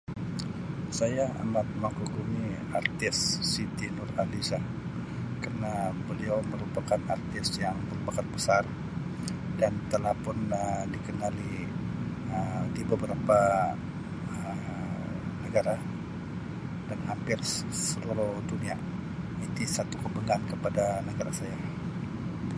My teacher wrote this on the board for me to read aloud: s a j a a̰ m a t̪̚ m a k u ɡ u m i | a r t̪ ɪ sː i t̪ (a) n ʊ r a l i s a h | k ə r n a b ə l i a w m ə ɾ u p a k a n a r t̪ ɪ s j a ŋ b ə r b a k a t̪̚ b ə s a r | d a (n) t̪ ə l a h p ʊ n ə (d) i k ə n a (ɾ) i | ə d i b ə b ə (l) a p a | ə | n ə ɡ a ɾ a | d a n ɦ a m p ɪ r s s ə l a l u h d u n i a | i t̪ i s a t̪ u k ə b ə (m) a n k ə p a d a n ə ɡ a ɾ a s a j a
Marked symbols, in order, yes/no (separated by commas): no, yes, yes, no, no, no